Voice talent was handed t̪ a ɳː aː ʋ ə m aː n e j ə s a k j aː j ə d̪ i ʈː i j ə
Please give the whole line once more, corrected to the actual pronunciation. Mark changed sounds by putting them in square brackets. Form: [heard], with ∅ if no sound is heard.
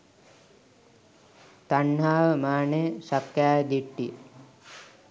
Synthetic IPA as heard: t̪ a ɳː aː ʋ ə m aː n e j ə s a k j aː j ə d̪ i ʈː i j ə